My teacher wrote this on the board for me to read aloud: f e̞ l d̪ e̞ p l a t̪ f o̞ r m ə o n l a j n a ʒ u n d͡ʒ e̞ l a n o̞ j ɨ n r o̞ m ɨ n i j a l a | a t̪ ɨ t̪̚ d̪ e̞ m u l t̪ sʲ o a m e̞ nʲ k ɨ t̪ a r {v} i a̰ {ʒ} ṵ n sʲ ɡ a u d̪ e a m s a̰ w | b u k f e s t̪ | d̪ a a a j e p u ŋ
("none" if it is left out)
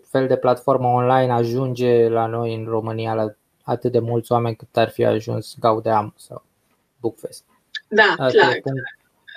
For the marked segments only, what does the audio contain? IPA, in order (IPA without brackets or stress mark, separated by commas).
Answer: f, ʒ